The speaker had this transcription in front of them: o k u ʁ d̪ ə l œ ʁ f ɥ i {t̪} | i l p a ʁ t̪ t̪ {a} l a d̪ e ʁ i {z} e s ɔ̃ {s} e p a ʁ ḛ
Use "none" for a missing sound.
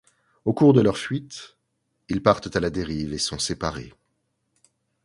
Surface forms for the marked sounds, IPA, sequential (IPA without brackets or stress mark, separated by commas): t̪, a, v, s